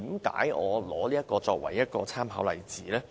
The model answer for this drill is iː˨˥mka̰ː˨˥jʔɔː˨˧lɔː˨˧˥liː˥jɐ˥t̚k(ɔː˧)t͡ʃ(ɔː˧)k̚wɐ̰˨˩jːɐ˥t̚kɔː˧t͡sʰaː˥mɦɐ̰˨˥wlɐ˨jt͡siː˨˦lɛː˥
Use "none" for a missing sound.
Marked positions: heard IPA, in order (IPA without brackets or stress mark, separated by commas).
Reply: ɔː˧, ɔː˧